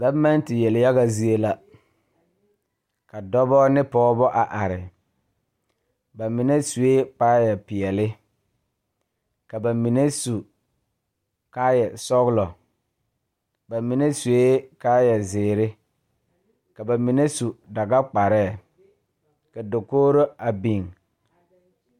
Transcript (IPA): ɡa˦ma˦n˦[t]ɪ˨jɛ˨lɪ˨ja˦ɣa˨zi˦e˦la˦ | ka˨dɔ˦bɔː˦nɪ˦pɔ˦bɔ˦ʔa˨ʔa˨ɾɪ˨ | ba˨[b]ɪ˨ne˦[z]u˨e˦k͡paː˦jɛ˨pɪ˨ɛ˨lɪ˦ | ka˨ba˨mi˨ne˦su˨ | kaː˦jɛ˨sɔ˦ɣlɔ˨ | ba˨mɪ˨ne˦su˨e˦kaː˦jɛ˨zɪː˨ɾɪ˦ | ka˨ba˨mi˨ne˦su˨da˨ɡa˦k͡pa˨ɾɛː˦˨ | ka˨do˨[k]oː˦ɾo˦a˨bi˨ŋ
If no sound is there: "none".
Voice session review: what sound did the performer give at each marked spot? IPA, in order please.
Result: t, m, s, k

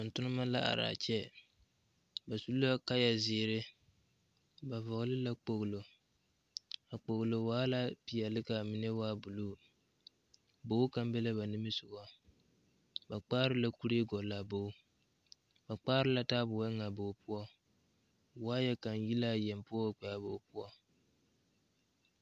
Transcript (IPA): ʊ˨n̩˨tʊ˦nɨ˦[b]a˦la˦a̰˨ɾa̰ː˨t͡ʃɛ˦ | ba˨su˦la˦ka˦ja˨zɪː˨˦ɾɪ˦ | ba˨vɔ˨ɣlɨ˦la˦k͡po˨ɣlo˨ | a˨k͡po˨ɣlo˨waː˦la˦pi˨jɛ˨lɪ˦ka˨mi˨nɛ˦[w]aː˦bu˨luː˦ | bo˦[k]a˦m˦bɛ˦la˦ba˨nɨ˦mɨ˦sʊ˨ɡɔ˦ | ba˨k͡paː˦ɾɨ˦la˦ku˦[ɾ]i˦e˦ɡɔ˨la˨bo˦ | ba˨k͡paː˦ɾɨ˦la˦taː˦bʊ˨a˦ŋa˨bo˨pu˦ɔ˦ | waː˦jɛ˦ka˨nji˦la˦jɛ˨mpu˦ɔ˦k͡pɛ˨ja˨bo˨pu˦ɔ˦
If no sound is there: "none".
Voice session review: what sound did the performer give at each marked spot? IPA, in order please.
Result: m, w, k, ɾ

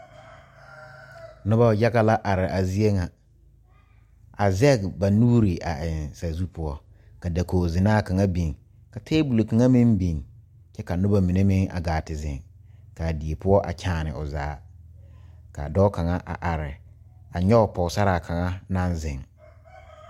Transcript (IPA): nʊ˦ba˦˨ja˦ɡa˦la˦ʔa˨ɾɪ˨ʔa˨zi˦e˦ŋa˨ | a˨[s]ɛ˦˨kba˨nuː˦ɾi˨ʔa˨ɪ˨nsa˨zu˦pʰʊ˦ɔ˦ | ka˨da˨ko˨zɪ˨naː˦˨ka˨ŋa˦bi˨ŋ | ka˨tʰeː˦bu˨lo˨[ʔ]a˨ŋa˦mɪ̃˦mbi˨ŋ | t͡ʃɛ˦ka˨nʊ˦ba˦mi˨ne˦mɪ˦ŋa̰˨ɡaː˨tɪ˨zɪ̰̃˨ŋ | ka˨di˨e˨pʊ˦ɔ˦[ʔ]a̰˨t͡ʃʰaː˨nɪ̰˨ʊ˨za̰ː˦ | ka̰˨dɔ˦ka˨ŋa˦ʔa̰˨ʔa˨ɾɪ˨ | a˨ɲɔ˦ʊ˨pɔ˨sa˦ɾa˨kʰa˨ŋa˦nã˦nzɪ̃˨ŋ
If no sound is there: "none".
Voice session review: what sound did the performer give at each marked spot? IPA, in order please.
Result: z, k, ʔ

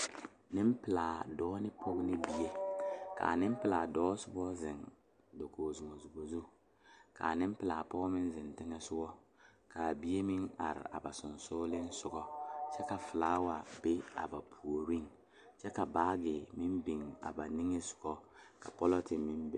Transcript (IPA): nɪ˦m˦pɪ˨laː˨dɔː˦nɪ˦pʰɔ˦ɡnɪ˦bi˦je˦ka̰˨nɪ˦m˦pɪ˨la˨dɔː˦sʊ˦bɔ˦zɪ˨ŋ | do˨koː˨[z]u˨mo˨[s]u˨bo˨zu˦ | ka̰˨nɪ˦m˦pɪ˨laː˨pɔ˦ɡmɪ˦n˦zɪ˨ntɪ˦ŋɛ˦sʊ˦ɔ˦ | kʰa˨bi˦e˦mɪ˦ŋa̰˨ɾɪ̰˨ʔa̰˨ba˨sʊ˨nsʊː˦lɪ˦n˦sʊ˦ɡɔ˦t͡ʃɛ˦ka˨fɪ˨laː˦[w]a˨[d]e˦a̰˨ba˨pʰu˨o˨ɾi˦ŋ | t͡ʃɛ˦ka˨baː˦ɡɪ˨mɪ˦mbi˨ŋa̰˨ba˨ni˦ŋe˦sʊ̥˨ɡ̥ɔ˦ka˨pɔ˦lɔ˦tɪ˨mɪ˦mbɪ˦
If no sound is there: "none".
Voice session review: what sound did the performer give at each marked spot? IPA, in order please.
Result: z, z, w, b

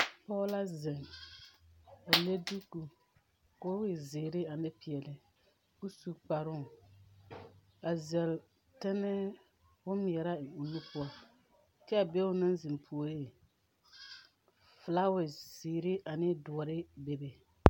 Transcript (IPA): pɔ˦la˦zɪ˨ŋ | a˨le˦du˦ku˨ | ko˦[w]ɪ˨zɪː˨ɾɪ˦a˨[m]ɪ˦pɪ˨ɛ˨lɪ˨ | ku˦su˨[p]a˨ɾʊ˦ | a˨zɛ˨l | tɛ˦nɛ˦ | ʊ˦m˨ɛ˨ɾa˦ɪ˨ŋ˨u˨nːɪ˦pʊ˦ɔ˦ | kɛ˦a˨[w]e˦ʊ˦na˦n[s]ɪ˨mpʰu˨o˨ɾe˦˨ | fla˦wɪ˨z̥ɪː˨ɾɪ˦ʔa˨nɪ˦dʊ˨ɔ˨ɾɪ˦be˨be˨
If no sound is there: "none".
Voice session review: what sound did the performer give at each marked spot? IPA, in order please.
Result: w, n, k͡p, b, z

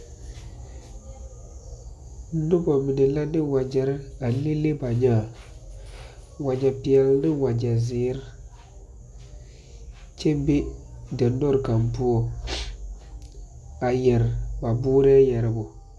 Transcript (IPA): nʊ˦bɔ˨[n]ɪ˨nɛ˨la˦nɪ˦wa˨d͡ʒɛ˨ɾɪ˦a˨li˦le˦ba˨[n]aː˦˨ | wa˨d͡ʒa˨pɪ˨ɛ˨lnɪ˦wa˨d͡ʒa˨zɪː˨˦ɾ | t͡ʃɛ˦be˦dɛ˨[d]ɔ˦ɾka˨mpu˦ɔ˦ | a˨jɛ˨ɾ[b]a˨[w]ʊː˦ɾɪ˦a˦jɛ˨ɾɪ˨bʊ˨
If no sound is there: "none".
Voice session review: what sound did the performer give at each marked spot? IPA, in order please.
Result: m, ɲ, n, b, b

